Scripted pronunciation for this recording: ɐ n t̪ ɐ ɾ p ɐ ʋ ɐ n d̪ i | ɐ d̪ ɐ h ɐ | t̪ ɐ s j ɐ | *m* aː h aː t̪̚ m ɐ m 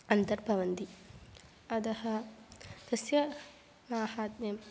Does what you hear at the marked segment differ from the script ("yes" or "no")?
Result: no